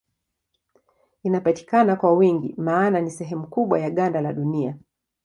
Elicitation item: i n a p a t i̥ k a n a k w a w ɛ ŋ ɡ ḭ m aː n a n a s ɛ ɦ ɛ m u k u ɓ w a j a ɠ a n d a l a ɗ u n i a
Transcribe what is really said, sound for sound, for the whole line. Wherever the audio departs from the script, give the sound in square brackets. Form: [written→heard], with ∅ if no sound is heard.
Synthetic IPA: i n a p a t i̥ k a n a k w a w [ɛ→i] ŋ ɡ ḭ m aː n a n [a→i] s ɛ ɦ ɛ m u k u ɓ w a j a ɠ a n d a l a ɗ u n i a

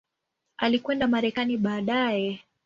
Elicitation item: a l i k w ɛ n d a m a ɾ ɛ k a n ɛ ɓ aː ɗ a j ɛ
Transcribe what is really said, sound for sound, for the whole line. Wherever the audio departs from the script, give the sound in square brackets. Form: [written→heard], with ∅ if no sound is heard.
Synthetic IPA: a l i k w ɛ n d a m a ɾ ɛ k a n [ɛ→i] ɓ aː ɗ a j ɛ

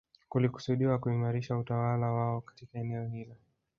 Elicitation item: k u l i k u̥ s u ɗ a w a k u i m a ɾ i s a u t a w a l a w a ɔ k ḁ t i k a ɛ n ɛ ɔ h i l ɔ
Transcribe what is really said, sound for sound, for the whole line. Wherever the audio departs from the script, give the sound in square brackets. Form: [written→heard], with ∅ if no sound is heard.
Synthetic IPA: k u l i k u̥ s u ɗ [a→i] w a k u i m a ɾ i [s→ʃ] a u t a w a l a w a ɔ k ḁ t i k a ɛ n ɛ ɔ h i l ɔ

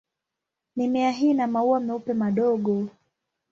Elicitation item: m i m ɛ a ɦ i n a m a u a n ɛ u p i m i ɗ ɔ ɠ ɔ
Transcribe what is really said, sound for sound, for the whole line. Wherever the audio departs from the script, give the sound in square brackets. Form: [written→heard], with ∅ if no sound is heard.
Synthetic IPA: [m→n] i m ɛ a ɦ i n a m a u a [n→m] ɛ u p [i→ɛ] m [i→a] ɗ ɔ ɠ ɔ

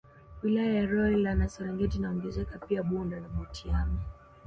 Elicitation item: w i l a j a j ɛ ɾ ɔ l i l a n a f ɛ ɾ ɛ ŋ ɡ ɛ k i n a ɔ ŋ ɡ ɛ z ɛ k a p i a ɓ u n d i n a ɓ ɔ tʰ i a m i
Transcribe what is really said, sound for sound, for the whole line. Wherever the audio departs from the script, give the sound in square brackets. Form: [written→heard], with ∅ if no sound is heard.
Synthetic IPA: w i l a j a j [ɛ→a] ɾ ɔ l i l a n a [f→s] ɛ ɾ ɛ ŋ ɡ ɛ [k→t] i n a ɔ ŋ ɡ ɛ z ɛ k a p i a ɓ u n d [i→a] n a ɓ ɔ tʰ i a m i

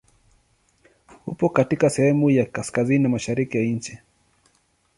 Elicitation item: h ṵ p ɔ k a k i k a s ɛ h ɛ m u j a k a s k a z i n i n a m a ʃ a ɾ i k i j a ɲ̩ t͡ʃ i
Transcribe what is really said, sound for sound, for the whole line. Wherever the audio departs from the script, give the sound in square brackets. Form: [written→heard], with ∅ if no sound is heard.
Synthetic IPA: h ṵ p ɔ k a [k→t] i k a s ɛ h ɛ m u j a k a s k a z i n i n a m a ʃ a ɾ i k i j a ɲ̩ t͡ʃ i

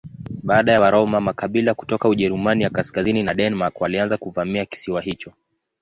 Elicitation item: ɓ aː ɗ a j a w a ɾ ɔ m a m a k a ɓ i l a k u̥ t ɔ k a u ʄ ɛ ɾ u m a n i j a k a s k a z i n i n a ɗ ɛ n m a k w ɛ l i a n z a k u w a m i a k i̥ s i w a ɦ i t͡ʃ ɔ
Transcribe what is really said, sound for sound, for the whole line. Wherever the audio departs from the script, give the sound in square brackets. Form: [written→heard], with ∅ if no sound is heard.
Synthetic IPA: ɓ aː ɗ a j a w a ɾ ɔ m a m a k a ɓ i l a k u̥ t ɔ k a u ʄ ɛ ɾ u m a n i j a k a s k a z i n i n a ɗ ɛ n m a k w [ɛ→a] l i a n z a k u [w→v] a m i a k i̥ s i w a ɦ i t͡ʃ ɔ

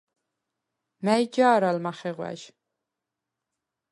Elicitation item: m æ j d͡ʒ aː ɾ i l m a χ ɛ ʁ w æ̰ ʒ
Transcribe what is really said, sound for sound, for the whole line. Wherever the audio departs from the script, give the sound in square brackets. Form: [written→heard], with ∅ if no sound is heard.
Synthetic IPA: m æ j d͡ʒ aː ɾ [i→a] l m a χ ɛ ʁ w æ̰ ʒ

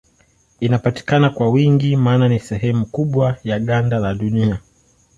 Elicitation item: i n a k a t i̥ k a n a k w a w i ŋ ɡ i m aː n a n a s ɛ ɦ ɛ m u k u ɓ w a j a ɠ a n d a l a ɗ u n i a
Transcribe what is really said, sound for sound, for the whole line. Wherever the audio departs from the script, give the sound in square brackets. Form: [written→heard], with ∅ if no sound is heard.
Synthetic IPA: i n a [k→p] a t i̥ k a n a k w a w i ŋ ɡ i m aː n a n [a→i] s ɛ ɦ ɛ m u k u ɓ w a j a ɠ a n d a l a ɗ u n i a

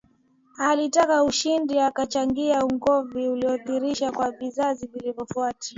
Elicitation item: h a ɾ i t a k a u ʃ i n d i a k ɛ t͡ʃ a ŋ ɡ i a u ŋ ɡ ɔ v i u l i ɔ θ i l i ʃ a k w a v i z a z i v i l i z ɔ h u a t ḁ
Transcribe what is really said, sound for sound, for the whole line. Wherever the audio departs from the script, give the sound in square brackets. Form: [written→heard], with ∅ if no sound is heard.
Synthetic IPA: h a [ɾ→l] i t a k a u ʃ i n d i a k [ɛ→a] t͡ʃ a ŋ ɡ i a u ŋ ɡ ɔ v i u l i ɔ θ i [l→ɾ] i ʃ a k w a v i z a z i v i l i [z→v] ɔ [h→f] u a t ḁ

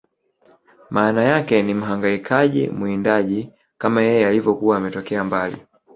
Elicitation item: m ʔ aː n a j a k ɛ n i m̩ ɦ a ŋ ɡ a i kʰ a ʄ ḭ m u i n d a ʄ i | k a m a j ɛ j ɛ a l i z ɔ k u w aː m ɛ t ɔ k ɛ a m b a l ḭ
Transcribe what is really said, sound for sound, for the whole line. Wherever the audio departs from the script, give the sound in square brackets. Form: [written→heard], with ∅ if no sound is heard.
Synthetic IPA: m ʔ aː n a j a k ɛ n i m̩ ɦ a ŋ ɡ a i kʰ a ʄ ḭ m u i n d a ʄ i | k a m a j ɛ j ɛ a l i [z→v] ɔ k u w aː m ɛ t ɔ k ɛ a m b a l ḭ

